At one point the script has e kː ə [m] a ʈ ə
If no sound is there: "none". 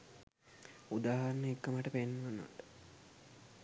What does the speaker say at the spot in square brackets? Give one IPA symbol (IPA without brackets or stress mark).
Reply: m